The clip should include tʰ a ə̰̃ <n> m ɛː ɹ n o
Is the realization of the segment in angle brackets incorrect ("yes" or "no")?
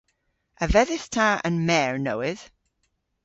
no